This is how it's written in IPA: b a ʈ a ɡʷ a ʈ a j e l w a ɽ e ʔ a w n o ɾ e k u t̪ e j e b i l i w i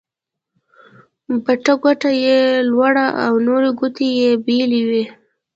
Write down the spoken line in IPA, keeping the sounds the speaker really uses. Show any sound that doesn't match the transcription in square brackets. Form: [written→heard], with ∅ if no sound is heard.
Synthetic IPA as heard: b a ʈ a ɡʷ a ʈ a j e l w a ɽ [e→a] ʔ a w n o ɾ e [k→ɡ] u t̪ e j e b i l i w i